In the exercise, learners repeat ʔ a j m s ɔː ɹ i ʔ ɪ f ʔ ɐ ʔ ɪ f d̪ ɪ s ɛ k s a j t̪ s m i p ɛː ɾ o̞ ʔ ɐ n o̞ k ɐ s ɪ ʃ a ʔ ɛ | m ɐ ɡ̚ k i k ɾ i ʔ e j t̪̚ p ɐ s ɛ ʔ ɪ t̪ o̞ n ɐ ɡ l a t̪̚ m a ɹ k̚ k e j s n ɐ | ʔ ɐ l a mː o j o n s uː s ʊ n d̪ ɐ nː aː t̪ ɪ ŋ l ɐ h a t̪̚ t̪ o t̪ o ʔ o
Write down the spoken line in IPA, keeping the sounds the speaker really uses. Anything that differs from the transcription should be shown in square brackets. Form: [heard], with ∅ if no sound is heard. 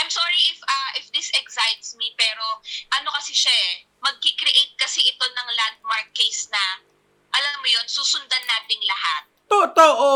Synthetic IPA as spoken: ʔ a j m s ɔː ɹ i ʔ ɪ f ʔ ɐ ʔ ɪ f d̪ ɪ s ɛ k s a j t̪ s m i p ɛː ɾ o̞ ʔ ɐ n o̞ k ɐ s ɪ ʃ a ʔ ɛ | m ɐ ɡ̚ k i k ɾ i ʔ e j t̪̚ [k] ɐ s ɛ ʔ ɪ t̪ o̞ n ɐ [ŋ] l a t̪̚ m a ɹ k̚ k e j s n ɐ | ʔ ɐ l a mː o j o n s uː s ʊ n d̪ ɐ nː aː t̪ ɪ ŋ l ɐ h a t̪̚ t̪ o t̪ o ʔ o